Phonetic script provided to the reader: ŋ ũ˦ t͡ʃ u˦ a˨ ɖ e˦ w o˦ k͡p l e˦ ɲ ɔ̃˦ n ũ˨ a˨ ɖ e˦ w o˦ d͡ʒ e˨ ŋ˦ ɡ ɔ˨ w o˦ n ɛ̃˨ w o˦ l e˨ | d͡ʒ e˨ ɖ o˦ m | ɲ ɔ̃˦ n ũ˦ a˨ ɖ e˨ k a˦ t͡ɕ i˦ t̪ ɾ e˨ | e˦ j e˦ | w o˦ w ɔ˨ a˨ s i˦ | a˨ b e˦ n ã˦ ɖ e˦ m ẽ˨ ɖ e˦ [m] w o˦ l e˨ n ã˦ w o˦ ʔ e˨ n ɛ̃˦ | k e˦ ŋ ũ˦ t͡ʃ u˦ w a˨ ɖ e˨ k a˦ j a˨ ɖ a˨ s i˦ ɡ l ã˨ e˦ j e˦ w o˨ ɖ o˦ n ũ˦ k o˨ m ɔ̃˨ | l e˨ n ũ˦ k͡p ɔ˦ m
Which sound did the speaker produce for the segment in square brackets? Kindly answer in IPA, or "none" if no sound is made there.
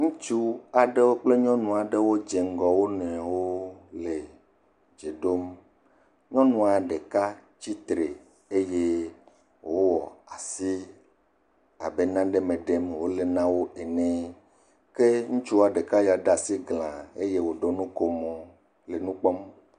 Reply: m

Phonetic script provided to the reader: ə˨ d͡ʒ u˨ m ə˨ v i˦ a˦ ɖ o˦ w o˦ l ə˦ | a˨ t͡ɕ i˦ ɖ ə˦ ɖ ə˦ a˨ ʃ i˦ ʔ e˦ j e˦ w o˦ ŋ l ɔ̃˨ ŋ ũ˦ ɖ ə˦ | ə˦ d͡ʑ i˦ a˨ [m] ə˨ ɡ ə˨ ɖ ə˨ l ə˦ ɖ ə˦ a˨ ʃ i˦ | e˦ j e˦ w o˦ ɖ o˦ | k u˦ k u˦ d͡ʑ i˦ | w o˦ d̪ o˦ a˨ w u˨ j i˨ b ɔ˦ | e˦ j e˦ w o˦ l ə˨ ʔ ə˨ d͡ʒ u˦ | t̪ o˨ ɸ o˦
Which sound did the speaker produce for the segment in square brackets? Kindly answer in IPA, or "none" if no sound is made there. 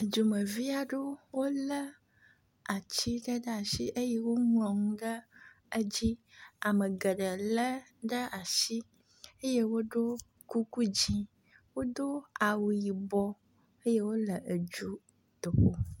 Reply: m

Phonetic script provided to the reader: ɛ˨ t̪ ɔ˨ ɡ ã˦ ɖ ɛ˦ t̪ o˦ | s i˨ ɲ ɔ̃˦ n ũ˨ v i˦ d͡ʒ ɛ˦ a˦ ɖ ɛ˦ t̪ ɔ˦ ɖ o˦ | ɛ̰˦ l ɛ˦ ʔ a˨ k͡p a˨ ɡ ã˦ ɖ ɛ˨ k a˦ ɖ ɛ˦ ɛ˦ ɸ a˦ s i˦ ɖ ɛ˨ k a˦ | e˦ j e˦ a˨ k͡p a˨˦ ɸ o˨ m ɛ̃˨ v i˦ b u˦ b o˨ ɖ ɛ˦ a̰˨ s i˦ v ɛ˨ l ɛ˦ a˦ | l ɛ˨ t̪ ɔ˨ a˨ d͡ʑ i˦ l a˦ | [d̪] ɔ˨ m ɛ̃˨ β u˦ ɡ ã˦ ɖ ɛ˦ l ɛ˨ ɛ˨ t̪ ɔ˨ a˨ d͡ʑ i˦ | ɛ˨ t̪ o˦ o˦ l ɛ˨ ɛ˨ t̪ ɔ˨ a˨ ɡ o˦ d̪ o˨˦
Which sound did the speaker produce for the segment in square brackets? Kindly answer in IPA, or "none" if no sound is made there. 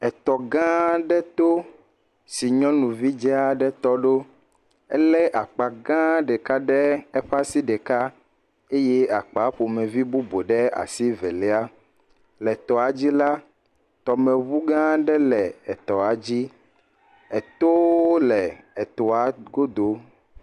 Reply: t̪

